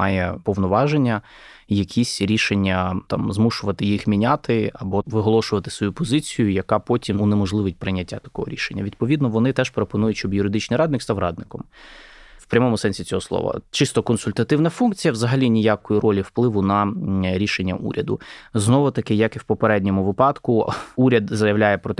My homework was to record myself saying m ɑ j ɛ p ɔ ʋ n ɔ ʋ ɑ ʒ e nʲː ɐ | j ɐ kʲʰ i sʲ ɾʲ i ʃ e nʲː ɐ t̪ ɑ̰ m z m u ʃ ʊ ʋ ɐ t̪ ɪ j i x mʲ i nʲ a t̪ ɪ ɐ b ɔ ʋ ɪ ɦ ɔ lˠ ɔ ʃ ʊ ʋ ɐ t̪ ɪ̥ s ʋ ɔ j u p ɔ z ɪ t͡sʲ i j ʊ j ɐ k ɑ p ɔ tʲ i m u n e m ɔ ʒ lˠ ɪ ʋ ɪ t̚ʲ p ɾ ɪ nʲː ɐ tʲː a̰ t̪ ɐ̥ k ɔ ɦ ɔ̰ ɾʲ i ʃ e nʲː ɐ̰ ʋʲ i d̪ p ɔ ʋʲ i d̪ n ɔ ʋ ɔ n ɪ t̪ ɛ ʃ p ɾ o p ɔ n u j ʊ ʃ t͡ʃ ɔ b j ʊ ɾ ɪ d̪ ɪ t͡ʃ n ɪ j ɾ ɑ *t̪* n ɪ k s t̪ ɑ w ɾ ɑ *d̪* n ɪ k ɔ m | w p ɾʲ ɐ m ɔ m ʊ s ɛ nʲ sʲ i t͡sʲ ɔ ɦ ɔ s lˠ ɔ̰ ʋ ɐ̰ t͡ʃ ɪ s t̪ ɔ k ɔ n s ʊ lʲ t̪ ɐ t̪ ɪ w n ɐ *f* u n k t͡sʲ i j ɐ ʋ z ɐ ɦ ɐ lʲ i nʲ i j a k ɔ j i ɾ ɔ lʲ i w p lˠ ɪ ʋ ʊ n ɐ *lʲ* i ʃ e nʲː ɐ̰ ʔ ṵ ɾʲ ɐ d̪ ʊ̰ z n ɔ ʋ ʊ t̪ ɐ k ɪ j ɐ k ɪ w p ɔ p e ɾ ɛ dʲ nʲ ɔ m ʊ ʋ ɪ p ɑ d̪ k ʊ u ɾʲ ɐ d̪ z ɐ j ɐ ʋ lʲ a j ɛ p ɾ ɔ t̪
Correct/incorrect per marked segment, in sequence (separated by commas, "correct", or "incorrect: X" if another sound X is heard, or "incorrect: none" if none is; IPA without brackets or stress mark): incorrect: d̪, correct, correct, incorrect: ɾʲ